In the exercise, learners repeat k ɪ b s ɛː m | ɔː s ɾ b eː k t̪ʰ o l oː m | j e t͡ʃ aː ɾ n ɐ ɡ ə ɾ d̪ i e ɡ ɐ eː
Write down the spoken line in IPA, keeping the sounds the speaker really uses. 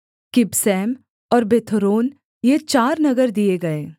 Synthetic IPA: k ɪ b s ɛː m | ɔː ɾ b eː t̪ʰ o ɾ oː n | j e t͡ʃ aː ɾ n ɐ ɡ ə ɾ d̪ i e ɡ ɐ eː